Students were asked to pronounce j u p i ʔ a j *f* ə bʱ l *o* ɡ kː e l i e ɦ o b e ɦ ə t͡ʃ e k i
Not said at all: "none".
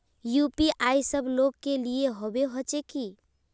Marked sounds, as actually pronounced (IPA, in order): s, o

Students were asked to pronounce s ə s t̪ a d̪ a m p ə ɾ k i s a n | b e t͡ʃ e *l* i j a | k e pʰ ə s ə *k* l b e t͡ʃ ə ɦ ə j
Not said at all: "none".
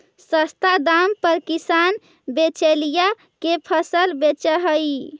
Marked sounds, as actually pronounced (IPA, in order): l, none

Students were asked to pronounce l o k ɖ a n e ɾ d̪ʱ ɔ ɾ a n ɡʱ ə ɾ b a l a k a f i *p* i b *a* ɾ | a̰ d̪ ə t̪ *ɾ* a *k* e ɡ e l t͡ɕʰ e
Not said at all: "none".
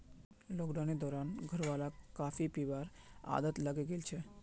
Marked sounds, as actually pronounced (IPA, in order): p, a, l, ɡ

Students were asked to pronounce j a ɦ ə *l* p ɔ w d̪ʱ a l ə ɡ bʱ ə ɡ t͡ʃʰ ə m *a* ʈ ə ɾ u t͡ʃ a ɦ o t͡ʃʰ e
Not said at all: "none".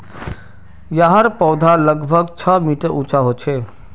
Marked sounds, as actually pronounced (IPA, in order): ɾ, i

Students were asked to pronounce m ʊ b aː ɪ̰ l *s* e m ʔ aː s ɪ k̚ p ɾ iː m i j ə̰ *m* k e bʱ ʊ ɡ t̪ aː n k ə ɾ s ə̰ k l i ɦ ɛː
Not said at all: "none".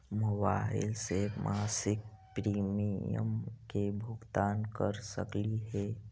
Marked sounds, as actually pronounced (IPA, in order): s, m

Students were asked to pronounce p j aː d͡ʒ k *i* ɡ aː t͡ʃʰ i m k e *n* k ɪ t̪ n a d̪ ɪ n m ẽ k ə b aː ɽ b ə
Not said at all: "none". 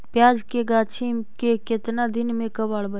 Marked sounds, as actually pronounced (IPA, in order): e, none

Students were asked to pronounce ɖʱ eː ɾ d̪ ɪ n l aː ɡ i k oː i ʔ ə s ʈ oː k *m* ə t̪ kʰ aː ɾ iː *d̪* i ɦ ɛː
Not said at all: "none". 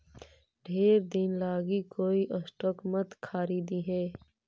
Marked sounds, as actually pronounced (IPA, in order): m, d̪

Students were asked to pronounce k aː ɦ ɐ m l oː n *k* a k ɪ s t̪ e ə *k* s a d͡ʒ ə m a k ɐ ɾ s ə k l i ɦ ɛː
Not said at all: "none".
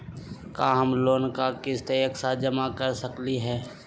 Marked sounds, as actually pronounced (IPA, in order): k, k

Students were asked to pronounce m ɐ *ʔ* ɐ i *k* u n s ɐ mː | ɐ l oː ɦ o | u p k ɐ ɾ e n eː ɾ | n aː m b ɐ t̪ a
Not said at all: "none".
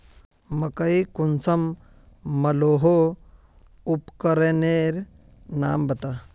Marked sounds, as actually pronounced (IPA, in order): k, k

